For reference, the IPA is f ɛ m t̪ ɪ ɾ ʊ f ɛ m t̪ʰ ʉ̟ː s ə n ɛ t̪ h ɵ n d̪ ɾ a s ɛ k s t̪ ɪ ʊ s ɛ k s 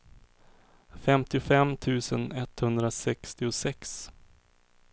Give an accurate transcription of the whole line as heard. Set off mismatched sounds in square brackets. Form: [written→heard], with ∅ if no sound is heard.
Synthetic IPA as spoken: f ɛ m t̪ ɪ [ɾ→∅] ʊ f ɛ m t̪ʰ ʉ̟ː s ə n ɛ t̪ h ɵ n d̪ ɾ a s ɛ k s t̪ ɪ ʊ s ɛ k s

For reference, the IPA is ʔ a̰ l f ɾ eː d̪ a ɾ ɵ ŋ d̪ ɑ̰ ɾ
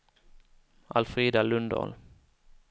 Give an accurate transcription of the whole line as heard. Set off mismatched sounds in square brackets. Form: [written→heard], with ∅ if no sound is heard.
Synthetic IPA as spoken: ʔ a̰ l f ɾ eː d̪ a [ɾ→l] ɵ [ŋ→n] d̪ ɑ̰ [ɾ→l]

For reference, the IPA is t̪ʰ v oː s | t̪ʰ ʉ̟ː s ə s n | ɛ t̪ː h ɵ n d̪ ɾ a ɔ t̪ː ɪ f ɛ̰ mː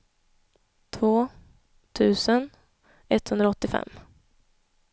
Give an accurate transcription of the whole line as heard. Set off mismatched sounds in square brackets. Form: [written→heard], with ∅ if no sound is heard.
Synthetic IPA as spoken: t̪ʰ v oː [s→∅] | t̪ʰ ʉ̟ː s ə [s→∅] n | ɛ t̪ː h ɵ n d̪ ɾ a ɔ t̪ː ɪ f ɛ̰ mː

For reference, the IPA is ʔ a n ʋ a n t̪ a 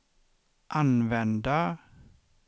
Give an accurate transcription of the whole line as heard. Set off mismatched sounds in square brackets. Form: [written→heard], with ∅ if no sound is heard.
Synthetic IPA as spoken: ʔ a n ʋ [a→ɛ] n [t̪→d̪] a

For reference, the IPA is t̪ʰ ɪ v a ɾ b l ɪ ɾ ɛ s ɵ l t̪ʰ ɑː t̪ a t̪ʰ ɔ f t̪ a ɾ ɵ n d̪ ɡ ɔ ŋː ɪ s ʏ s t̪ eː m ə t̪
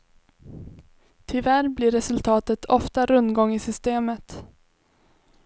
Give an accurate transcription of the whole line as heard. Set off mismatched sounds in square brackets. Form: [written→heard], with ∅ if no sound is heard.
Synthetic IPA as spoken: t̪ʰ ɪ v [a→æ] ɾ b l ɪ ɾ ɛ s ɵ l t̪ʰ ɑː t̪ [a→ə] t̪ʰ ɔ f t̪ a ɾ ɵ n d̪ ɡ ɔ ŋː ɪ s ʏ s t̪ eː m ə t̪

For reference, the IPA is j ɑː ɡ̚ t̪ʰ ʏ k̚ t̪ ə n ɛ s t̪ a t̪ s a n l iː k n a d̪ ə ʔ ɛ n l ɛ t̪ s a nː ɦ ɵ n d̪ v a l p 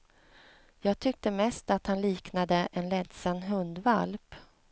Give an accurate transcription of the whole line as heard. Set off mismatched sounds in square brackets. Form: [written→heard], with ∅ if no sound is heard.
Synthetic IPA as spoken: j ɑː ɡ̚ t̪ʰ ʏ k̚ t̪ ə [n→m] ɛ s t̪ a t̪ [s→h] a n l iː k n a d̪ ə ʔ ɛ n l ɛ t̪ s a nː ɦ ɵ n d̪ v a l p

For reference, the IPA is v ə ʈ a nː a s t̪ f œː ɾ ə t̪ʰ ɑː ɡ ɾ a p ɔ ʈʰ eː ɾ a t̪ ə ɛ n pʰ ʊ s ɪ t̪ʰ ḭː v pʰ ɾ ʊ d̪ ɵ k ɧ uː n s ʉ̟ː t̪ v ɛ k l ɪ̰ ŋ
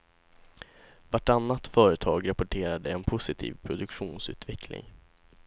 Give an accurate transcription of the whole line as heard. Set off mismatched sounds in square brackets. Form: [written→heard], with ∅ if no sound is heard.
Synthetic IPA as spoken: v [ə→a] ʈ a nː a [s→∅] t̪ f œː ɾ ə t̪ʰ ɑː ɡ ɾ a p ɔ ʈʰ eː ɾ a [t̪→d̪] ə ɛ n pʰ ʊ s ɪ t̪ʰ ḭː v pʰ ɾ ʊ d̪ ɵ k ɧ uː n s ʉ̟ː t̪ v ɛ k l ɪ̰ ŋ

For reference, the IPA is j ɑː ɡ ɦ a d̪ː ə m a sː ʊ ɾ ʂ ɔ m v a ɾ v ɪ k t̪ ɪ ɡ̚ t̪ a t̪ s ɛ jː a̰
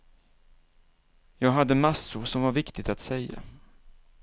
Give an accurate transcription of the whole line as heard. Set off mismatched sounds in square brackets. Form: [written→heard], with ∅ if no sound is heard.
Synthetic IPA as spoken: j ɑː ɡ ɦ a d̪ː ə m a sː ʊ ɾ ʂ ɔ m v a ɾ v ɪ k t̪ ɪ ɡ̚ t̪ a t̪ s ɛ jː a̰

